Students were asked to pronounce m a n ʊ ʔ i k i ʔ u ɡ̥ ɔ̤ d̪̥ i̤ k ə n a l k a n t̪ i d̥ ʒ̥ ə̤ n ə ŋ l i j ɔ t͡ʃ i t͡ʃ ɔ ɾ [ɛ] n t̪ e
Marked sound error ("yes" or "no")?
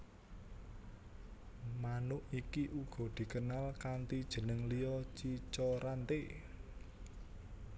yes